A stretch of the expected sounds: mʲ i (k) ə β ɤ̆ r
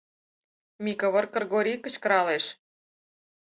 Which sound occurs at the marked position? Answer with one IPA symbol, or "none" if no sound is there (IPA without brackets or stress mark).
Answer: k